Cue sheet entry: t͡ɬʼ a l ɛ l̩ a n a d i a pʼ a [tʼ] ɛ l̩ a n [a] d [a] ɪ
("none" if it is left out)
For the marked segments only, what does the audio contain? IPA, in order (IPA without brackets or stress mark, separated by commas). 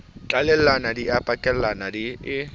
kʼ, a, i